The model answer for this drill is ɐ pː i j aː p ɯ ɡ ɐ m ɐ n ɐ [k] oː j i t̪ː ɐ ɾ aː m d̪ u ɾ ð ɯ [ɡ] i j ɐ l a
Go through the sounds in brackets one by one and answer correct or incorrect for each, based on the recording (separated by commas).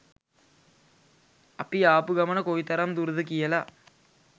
correct, incorrect